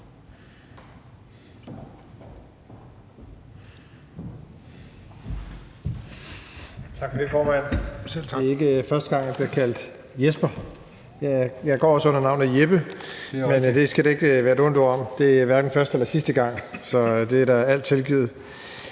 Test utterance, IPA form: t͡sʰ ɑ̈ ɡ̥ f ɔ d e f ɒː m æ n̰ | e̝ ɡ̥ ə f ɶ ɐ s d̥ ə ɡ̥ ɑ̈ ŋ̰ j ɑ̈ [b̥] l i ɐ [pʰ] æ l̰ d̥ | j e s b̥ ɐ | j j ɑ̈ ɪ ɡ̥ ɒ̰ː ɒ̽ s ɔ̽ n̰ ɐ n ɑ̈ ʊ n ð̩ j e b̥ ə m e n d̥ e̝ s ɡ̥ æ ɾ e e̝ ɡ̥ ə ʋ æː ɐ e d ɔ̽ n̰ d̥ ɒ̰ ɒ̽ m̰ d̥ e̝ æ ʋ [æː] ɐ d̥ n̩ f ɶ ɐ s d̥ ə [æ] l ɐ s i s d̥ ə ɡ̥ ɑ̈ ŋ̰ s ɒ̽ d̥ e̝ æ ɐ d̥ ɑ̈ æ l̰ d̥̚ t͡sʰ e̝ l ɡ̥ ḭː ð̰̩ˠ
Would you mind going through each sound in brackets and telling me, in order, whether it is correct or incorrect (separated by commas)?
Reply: correct, incorrect, incorrect, incorrect